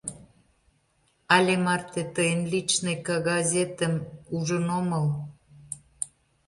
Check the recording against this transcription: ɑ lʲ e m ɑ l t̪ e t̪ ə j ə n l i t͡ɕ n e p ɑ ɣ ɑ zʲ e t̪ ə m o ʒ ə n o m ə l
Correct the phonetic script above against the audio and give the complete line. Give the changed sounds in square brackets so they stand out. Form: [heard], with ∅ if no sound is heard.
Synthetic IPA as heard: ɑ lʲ e m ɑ [r] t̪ e t̪ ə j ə n l i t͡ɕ n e [k] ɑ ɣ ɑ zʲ e t̪ ə m [u] ʒ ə n o m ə l